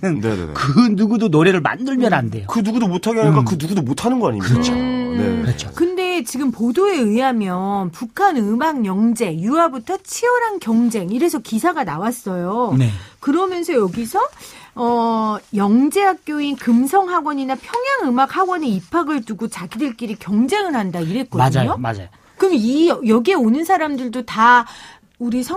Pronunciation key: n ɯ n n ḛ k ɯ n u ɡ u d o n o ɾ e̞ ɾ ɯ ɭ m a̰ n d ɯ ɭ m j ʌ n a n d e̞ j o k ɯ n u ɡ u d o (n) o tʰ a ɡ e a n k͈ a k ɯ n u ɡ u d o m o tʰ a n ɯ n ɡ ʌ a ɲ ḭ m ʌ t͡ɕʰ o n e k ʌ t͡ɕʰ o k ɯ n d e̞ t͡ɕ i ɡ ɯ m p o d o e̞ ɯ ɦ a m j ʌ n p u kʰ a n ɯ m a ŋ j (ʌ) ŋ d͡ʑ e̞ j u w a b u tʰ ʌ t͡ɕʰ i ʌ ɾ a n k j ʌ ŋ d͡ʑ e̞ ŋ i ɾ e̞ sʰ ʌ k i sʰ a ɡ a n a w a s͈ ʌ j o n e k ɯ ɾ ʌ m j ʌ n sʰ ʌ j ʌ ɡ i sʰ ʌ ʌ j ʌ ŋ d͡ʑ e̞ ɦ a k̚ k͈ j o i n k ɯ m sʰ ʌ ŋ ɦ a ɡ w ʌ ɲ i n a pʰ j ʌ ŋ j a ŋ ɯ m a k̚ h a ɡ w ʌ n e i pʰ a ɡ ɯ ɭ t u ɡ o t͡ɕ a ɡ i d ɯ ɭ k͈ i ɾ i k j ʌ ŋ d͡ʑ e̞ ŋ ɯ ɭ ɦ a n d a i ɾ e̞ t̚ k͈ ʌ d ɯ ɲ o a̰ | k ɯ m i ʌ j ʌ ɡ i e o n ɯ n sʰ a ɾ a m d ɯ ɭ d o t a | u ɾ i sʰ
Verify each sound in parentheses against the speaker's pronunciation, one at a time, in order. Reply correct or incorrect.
incorrect, correct

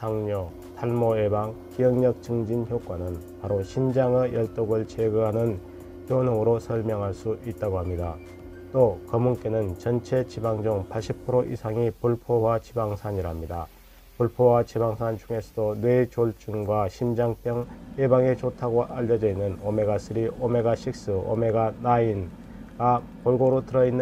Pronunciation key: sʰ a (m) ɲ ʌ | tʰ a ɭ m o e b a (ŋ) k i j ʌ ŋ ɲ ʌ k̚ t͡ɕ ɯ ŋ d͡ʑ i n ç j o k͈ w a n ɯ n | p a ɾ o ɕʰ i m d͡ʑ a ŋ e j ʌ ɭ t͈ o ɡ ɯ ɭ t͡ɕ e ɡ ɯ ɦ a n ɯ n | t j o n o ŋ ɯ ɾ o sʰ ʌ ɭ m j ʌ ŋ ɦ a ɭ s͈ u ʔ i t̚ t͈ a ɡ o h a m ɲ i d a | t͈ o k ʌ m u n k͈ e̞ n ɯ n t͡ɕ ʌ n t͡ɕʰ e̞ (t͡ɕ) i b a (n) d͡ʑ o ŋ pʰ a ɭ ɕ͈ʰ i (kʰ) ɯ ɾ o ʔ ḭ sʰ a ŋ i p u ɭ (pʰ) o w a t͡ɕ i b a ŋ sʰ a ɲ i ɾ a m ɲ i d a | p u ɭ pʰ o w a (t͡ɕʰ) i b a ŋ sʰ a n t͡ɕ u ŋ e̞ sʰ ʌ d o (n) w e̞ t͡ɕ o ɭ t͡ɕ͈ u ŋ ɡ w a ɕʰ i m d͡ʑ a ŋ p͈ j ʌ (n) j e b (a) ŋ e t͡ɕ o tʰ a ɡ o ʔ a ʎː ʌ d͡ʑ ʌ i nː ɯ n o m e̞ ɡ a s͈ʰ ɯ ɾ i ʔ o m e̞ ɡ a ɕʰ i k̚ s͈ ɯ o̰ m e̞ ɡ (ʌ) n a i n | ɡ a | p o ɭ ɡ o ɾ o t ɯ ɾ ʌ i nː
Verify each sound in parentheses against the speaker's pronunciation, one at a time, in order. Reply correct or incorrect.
incorrect, correct, correct, incorrect, incorrect, correct, incorrect, correct, incorrect, correct, incorrect

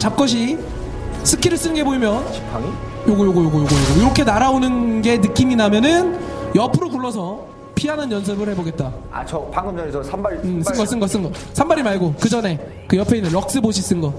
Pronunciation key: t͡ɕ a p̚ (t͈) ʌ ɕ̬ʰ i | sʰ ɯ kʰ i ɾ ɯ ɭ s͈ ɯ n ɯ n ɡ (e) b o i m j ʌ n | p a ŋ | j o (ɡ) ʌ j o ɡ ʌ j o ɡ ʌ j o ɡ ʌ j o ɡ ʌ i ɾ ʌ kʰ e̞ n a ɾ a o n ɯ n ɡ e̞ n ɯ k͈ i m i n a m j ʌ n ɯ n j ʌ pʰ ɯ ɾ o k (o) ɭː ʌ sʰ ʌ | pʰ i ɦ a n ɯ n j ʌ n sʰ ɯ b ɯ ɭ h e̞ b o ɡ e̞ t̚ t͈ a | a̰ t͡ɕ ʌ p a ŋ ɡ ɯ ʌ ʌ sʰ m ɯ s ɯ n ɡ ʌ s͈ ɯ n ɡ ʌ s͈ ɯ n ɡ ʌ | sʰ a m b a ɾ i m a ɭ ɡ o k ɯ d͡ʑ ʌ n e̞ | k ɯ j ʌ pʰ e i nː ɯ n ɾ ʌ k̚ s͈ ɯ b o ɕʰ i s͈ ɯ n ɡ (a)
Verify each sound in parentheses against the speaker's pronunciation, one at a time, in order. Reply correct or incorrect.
incorrect, correct, correct, incorrect, incorrect

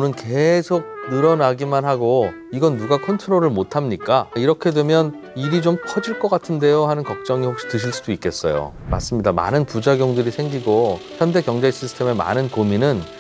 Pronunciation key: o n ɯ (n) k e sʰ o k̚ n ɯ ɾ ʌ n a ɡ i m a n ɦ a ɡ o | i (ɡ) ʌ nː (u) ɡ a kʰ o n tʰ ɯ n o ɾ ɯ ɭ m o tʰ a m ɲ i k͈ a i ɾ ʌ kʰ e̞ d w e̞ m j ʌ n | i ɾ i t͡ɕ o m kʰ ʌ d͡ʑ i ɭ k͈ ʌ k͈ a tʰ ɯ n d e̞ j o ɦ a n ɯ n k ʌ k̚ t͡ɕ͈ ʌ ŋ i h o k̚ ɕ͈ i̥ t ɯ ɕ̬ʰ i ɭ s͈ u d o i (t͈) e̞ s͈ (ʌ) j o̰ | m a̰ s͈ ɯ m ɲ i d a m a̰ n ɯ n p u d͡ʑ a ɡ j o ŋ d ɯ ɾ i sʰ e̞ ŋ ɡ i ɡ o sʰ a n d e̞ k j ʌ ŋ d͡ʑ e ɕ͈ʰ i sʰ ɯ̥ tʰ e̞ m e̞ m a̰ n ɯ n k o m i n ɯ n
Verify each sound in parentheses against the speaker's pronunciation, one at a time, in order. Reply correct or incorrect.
correct, correct, correct, incorrect, correct

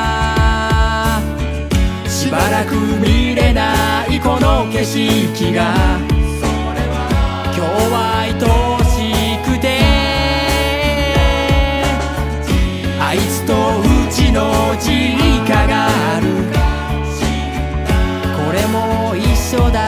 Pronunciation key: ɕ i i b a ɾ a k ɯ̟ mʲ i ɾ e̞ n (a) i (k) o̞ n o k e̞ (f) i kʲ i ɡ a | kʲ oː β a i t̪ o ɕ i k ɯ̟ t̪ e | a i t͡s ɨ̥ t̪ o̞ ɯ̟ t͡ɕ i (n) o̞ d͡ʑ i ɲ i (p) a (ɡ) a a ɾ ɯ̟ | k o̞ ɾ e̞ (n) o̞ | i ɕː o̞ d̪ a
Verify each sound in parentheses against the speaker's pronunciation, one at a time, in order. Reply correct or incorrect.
correct, correct, incorrect, correct, incorrect, correct, incorrect

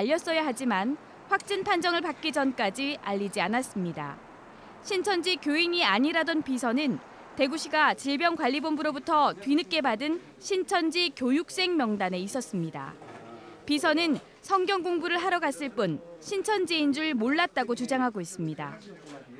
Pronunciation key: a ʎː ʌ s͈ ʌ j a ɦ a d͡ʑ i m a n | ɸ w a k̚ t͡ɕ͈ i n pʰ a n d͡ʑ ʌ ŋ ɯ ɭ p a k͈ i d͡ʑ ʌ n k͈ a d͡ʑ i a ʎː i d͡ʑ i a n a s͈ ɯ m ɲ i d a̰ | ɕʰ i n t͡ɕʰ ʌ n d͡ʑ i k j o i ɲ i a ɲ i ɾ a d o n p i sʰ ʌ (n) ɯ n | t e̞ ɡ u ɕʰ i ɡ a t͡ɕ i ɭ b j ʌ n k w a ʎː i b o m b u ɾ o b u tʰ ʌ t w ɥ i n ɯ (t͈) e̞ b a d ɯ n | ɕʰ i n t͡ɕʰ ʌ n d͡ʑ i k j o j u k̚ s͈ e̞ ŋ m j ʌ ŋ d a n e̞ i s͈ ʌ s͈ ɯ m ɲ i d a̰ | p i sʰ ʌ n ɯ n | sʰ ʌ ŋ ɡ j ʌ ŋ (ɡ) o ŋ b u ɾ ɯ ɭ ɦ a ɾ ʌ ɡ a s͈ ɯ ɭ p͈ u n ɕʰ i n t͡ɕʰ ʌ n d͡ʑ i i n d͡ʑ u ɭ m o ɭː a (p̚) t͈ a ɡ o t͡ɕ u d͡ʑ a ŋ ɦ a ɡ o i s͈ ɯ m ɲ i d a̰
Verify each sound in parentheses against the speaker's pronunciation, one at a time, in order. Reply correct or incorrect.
correct, incorrect, correct, incorrect

